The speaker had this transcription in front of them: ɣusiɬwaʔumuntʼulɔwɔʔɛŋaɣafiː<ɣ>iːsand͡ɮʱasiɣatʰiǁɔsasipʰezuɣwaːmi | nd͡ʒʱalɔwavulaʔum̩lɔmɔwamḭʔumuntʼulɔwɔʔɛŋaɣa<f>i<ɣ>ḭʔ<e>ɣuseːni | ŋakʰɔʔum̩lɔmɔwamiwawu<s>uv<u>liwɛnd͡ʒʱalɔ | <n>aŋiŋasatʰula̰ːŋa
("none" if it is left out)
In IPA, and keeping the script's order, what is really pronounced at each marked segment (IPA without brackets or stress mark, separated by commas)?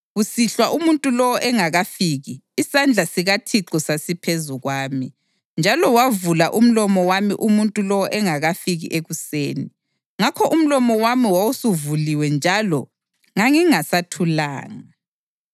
ɣ, f, ɣ, e, s, u, ŋ